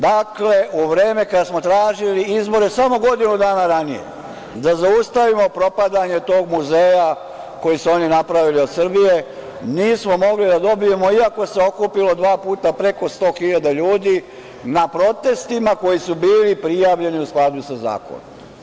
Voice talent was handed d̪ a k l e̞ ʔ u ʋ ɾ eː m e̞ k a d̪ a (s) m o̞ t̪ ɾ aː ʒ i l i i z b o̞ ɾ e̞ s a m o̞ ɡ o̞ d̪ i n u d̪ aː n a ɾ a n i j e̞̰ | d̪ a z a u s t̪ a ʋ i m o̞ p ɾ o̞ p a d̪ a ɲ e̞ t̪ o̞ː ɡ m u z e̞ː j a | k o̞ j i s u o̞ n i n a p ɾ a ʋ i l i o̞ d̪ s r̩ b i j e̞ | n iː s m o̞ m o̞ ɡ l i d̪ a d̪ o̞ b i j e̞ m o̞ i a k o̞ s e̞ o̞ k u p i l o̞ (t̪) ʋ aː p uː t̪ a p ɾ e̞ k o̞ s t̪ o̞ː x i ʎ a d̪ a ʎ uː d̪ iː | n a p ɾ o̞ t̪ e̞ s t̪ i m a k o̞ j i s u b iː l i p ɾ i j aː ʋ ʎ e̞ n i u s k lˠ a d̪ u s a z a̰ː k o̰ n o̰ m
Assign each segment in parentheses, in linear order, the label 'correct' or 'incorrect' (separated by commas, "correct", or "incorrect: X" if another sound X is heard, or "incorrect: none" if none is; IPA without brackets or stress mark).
correct, incorrect: d̪